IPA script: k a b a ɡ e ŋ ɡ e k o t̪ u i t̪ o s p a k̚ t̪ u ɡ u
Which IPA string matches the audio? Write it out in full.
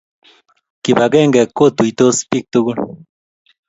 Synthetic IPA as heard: k i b a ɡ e ŋ ɡ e k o t̪ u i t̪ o s p i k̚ t̪ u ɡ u